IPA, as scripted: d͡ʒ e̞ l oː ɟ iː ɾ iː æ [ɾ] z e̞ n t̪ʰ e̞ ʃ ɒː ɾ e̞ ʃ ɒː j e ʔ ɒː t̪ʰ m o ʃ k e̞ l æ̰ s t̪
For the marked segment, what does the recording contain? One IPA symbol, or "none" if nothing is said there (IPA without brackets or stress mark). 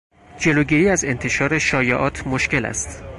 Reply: none